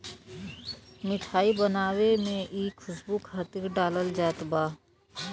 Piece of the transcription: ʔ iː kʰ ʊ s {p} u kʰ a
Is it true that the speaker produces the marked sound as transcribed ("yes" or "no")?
no